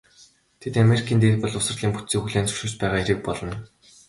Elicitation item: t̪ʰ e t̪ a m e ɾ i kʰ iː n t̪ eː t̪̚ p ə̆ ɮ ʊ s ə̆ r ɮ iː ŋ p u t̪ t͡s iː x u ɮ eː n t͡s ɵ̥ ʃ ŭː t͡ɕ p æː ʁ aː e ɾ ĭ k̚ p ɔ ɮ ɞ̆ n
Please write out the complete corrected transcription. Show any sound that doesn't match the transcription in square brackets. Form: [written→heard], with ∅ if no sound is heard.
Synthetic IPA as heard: t̪ʰ e t̪ a m e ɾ i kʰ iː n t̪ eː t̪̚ p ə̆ ɮ ʊ s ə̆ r ɮ iː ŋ p u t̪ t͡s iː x u ɮ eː n t͡s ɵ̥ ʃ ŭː t͡ɕ p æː ʁ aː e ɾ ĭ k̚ p ɔ ɮ ɞ̆ n